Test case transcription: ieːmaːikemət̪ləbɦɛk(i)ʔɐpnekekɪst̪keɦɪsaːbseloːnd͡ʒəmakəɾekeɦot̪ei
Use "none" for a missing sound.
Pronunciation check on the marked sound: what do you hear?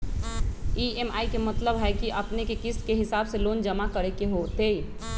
i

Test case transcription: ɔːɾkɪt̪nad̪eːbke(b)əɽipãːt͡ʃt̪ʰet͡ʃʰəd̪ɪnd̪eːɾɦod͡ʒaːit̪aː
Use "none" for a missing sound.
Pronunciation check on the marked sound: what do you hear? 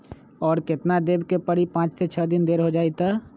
p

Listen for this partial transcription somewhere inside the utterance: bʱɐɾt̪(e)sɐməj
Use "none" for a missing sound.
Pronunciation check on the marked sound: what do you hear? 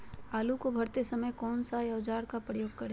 e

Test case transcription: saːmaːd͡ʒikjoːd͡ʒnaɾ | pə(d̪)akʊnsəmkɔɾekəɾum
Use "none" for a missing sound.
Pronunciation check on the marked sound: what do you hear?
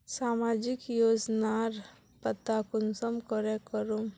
t̪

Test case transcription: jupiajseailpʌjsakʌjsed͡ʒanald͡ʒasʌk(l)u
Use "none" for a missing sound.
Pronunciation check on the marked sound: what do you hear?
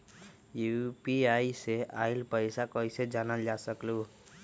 l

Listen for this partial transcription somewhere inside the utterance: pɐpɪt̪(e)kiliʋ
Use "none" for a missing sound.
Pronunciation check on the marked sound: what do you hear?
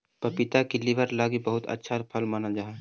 a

